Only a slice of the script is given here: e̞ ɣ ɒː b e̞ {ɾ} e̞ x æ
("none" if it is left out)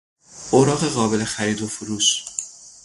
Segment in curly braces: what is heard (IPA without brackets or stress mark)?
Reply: l